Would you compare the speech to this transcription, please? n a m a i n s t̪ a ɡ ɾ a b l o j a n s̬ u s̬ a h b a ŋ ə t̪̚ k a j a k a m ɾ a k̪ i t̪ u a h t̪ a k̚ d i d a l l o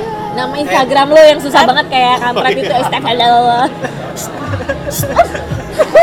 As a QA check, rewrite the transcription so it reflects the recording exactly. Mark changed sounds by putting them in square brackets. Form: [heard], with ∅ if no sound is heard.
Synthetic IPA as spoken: n a m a i n s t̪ a ɡ ɾ a [m] l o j a [ŋ] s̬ u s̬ a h b a ŋ ə t̪̚ k a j a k a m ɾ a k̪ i t̪ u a [s] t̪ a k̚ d [a] d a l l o